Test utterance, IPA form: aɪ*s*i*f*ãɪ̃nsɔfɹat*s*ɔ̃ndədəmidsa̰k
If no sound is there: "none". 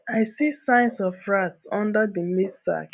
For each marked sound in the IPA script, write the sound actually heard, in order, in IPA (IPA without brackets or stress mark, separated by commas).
s, s, s